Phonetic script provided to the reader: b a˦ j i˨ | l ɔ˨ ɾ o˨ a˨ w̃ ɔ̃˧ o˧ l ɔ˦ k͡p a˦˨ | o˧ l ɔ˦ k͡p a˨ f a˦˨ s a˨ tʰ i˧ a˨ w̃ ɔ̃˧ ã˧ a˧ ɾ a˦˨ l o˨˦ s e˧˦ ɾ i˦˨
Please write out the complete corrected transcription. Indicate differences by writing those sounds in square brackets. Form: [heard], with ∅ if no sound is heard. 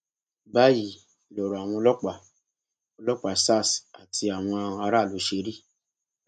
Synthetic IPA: b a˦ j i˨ | l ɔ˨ ɾ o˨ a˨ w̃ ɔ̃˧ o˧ l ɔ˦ k͡p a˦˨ | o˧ l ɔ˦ k͡p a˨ [s] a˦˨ s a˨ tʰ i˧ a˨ w̃ ɔ̃˧ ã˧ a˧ ɾ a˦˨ l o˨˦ [ʃ] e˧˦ ɾ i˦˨